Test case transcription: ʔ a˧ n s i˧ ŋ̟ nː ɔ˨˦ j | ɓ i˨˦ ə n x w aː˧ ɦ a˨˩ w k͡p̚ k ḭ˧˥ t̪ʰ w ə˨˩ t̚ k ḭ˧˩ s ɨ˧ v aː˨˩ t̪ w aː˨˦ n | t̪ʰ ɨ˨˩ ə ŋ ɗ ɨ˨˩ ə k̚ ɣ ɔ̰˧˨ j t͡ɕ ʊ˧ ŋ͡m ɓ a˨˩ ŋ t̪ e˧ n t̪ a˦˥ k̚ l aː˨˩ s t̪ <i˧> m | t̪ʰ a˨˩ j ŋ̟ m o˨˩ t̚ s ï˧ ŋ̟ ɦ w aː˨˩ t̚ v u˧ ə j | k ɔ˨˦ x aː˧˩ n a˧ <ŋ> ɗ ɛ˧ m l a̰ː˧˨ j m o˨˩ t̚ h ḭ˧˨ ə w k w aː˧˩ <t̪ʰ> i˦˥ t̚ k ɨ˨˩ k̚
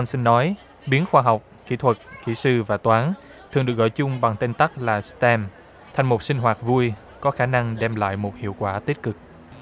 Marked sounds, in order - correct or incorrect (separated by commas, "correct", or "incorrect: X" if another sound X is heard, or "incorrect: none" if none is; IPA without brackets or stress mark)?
incorrect: ɛ˧, correct, incorrect: t̪